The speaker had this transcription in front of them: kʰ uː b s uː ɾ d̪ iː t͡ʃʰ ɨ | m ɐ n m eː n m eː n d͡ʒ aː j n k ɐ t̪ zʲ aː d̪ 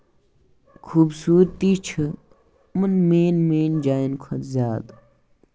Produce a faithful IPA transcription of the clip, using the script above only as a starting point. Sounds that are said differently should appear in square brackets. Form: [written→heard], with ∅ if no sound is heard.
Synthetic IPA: kʰ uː b s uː ɾ [d̪→t̪] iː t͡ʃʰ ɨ | m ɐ n m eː n m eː n d͡ʒ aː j n [k→kʰ] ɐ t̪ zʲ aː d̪